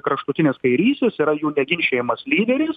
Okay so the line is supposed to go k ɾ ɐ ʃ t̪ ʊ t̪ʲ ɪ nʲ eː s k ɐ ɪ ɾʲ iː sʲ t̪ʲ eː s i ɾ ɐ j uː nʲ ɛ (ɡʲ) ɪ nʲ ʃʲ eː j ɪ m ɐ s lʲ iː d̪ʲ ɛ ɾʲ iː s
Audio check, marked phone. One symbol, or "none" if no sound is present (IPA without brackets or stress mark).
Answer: ɡʲ